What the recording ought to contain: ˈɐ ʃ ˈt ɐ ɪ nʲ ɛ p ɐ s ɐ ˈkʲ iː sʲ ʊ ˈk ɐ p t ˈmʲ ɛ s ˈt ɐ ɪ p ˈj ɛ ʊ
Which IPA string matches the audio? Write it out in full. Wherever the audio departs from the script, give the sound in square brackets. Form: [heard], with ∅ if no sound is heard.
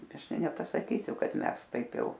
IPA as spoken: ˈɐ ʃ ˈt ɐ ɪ nʲ ɛ p ɐ s ɐ ˈkʲ iː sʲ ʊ ˈk ɐ [∅] t ˈmʲ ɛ s ˈt ɐ ɪ p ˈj ɛ ʊ